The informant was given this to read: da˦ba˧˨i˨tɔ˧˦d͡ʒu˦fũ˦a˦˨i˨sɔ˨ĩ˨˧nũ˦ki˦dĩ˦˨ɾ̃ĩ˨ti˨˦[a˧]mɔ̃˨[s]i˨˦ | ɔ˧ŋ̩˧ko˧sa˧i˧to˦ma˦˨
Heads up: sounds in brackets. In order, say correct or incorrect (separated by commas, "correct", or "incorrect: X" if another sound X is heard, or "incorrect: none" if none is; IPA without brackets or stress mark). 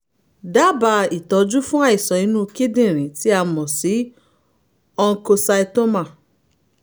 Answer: correct, correct